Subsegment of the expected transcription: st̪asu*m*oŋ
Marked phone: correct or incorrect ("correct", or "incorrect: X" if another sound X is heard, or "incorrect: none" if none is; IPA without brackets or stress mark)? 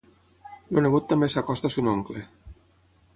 incorrect: n